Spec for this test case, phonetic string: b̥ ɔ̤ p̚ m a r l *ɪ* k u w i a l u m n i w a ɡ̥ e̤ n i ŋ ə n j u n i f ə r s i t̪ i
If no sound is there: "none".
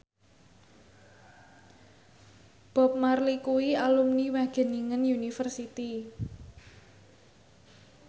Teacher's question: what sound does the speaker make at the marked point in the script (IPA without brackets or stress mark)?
i